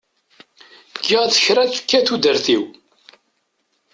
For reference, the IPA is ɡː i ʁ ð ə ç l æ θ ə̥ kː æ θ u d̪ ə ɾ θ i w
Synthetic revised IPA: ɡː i ʁ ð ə ç ɾ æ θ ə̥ kː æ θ u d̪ ə ɾ θ i w